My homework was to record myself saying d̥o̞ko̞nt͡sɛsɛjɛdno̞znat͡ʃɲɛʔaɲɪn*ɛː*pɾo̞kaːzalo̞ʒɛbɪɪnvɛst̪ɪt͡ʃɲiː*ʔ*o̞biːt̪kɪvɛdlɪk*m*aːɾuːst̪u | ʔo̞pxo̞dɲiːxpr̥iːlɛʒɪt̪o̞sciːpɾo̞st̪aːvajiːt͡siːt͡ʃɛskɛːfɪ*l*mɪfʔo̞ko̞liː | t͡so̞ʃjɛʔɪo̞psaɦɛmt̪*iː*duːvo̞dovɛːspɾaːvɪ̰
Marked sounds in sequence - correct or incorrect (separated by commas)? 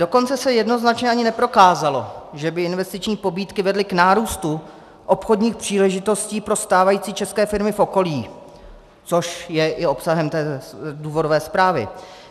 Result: incorrect, incorrect, incorrect, incorrect, incorrect